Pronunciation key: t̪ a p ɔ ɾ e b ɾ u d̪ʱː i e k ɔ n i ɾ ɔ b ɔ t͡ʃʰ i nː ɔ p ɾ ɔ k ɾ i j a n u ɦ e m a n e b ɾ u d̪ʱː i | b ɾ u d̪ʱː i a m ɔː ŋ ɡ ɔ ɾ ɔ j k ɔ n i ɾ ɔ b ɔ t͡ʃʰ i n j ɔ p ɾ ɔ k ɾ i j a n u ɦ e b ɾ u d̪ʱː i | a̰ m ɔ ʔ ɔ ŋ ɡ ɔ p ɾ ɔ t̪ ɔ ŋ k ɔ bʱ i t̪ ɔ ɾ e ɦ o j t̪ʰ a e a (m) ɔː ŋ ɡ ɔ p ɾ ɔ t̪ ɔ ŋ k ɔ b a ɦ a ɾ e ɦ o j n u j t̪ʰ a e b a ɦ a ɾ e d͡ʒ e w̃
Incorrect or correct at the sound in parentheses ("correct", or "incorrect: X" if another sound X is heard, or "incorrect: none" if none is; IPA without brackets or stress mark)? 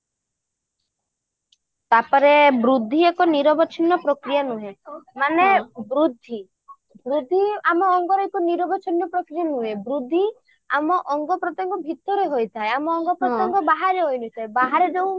correct